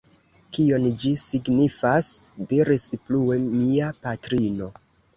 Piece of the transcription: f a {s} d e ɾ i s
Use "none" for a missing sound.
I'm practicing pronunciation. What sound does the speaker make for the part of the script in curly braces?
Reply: s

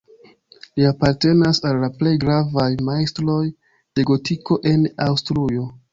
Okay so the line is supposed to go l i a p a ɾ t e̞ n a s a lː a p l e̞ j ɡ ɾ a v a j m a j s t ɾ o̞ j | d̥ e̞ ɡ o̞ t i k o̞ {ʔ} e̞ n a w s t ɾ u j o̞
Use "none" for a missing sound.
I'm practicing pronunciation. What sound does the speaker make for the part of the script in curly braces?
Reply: ʔ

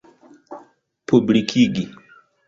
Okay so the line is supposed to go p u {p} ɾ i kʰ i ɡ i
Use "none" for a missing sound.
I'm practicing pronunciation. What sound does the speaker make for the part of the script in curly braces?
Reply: b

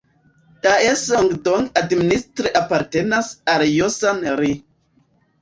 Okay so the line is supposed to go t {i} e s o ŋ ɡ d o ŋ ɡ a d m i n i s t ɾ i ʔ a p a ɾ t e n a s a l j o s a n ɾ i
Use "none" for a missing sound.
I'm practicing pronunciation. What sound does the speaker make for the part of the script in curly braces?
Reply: a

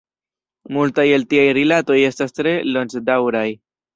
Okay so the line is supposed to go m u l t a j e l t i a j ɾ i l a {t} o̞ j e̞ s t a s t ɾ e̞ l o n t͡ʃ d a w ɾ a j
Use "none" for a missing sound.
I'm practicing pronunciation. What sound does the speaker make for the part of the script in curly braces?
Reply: t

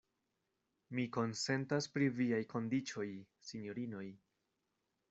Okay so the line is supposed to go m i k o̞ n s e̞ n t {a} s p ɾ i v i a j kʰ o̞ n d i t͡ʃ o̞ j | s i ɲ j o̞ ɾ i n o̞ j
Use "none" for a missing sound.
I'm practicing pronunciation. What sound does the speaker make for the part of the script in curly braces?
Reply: a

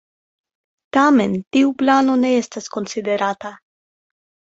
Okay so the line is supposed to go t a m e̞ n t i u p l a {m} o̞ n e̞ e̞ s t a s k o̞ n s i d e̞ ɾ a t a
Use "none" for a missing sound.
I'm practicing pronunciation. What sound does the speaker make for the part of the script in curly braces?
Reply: n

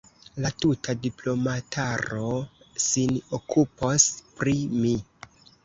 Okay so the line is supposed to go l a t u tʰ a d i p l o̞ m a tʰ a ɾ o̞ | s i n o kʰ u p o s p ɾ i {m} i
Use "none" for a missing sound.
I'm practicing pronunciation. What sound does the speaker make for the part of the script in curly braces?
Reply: m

